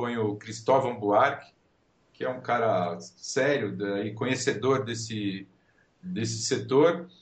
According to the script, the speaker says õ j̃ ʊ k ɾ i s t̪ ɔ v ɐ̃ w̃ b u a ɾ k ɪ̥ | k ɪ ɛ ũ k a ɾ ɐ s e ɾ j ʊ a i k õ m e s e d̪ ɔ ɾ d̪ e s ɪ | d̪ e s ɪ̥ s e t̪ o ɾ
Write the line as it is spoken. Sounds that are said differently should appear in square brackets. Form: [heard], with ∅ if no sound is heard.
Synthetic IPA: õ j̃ ʊ k ɾ i s t̪ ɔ v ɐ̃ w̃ b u a ɾ k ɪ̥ | k ɪ ɛ ũ k a ɾ ɐ s [ɛ] ɾ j ʊ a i k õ [ɲ] e s e d̪ [o] ɾ d̪ e s ɪ | d̪ e s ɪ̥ s e t̪ o ɾ